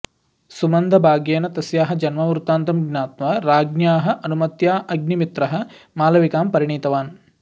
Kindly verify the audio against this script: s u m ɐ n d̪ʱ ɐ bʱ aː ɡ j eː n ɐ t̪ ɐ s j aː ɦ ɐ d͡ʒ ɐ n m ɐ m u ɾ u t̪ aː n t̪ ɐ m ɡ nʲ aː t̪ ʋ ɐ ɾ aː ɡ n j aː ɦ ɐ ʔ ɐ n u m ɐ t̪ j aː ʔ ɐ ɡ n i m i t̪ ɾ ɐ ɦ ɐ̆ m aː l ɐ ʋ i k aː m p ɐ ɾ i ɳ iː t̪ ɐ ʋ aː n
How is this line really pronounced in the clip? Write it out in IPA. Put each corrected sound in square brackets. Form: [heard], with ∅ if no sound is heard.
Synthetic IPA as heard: s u m ɐ n d̪ʱ ɐ bʱ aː ɡ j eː n ɐ t̪ ɐ s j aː ɦ ɐ d͡ʒ ɐ n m ɐ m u ɾ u t̪ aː n t̪ ɐ m ɡ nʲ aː t̪ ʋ ɐ ɾ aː ɡ n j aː ɦ ɐ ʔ ɐ n u m ɐ t̪ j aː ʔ ɐ ɡ n i m i t̪ ɾ ɐ ɦ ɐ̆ m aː l ɐ ʋ i k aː m p ɐ ɾ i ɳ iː t̪ ɐ ʋ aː n